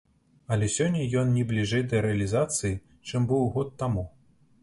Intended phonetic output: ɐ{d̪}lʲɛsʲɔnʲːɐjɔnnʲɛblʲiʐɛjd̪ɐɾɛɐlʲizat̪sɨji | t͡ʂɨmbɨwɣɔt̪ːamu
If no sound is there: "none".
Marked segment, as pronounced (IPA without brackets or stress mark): none